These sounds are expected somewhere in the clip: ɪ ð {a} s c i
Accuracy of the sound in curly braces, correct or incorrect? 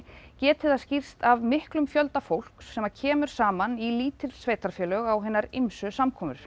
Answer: correct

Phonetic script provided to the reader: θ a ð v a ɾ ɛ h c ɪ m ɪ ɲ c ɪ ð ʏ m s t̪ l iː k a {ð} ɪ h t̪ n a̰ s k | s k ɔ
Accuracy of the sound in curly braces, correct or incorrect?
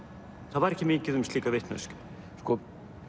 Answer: incorrect: v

